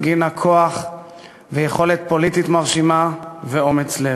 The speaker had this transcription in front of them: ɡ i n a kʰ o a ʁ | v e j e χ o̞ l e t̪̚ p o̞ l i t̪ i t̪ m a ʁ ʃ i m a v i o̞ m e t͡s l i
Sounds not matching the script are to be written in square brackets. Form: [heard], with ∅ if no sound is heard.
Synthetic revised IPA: ɡ i n a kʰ o a [χ] | v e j e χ o̞ l e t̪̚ p o̞ l i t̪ i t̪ m a ʁ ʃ i m a v [e] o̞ m e t͡s l [e]